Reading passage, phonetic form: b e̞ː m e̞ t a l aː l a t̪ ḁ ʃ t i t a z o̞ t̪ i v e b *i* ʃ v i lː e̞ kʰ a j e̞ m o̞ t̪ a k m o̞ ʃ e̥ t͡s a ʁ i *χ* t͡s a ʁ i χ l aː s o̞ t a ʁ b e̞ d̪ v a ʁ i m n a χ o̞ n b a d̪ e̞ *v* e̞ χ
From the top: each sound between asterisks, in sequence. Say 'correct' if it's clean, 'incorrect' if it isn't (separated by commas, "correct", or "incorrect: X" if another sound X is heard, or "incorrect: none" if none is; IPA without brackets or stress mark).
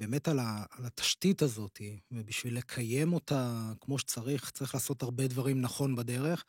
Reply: correct, correct, incorrect: ʁ